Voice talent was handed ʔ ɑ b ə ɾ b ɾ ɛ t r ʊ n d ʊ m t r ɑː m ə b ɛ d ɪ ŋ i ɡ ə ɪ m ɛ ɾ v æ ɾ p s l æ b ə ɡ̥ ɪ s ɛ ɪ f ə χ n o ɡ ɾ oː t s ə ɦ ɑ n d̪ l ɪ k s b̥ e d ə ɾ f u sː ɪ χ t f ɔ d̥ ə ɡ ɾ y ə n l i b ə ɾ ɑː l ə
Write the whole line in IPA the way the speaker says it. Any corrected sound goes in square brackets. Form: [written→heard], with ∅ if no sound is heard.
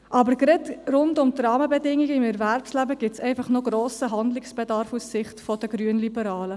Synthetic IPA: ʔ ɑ b ə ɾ [b→ɡ] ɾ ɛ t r ʊ n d ʊ m t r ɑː m ə b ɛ d ɪ ŋ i ɡ ə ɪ m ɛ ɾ v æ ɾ p s l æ b ə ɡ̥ ɪ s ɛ ɪ f [ə→ɑ] χ n o ɡ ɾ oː [t→∅] s ə ɦ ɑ n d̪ l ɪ k s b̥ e d [ə→ɑ] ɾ f u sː ɪ χ t f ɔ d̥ ə ɡ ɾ y ə n l i b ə ɾ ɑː l ə

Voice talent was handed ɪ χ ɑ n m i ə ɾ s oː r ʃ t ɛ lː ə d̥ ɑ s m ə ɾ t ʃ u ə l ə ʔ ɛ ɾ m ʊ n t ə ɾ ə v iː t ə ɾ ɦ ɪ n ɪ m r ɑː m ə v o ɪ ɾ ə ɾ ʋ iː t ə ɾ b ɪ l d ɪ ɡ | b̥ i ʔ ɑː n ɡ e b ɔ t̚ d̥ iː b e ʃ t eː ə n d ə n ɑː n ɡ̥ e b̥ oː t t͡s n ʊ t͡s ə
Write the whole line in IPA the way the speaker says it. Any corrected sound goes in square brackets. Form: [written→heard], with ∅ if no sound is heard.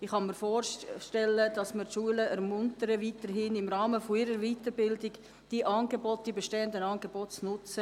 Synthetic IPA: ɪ χ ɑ n m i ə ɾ [s→f] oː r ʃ t ɛ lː ə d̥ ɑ s m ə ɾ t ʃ u ə l ə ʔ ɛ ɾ m ʊ n t ə ɾ ə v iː t ə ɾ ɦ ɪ n ɪ m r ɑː m ə [v→f] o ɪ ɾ ə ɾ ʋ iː t ə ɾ b ɪ l d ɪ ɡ | [b̥→d̥] i ʔ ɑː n ɡ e b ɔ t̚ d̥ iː b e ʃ t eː ə n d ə n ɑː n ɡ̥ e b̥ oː t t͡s n ʊ t͡s ə

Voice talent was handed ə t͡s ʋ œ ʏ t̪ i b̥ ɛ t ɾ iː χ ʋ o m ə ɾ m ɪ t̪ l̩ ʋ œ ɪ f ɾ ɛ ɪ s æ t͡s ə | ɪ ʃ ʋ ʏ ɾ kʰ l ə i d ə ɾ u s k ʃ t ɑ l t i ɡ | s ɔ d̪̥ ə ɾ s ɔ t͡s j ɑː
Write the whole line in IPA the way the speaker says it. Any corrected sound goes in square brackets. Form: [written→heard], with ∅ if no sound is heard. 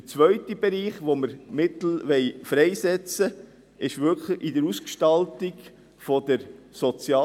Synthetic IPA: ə t͡s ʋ œ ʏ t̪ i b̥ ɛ [t→∅] ɾ iː χ ʋ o m ə ɾ m ɪ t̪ l̩ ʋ [œ→ɛ] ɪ f ɾ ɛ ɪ s [æ→ɛ] t͡s ə | ɪ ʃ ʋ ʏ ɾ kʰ l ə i d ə ɾ u s k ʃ t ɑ l t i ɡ | [s→f] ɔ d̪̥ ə ɾ s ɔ t͡s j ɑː

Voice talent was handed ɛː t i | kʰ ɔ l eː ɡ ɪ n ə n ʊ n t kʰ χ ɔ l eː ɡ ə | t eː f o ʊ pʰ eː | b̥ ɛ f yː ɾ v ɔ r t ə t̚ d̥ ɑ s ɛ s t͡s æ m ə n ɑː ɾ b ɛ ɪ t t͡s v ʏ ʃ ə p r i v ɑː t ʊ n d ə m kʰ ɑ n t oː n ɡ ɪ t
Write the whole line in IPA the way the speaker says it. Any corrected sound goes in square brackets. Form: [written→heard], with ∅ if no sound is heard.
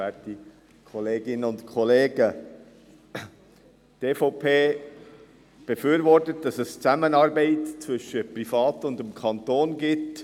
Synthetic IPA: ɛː t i | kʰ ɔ l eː ɡ ɪ n ə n ʊ n t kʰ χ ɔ l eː ɡ ə | t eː f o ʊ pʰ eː | b̥ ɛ f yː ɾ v ɔ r t ə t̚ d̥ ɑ s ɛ s t͡s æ m ə n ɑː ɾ b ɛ ɪ t t͡s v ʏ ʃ ə p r i [v→f] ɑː t ʊ n d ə m kʰ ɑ n t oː n ɡ ɪ t

